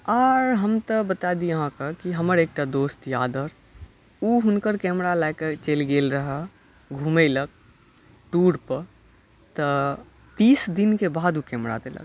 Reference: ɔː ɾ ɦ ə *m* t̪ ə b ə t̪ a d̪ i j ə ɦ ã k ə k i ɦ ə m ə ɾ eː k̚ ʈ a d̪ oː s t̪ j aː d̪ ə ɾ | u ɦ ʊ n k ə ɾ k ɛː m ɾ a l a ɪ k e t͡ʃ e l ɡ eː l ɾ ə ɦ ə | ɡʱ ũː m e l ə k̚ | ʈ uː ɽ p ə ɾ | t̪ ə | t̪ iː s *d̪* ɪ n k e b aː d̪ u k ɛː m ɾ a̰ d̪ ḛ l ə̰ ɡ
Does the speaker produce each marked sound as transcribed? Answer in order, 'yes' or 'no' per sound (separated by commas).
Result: yes, yes